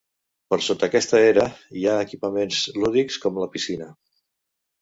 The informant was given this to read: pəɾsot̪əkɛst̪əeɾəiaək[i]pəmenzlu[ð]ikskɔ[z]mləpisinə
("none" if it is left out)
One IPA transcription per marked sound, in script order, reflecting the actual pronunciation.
i, ð, none

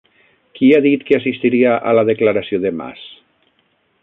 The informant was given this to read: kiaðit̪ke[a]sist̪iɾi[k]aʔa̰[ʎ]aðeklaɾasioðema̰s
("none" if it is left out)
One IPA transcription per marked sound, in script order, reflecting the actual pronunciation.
a, none, l

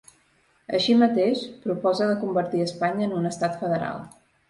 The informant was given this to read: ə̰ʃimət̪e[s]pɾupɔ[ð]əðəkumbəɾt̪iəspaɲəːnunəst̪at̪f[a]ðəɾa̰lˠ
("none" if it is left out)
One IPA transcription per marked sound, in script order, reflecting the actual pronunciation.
ʃ, z, ə

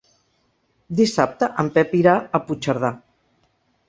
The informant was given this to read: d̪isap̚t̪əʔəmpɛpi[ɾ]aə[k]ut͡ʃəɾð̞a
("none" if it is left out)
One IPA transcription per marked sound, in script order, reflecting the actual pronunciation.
ɾ, p

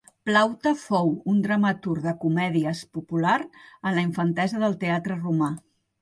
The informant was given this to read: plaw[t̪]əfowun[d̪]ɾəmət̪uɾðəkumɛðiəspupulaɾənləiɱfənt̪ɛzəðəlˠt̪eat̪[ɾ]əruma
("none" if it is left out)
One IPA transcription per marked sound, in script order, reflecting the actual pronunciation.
t̪, d̪, ɾ

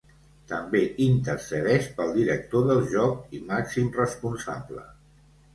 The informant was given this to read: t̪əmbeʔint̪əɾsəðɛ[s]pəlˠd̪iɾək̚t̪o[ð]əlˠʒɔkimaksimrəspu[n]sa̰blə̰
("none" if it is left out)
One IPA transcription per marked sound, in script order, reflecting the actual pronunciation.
ʃ, ð, n

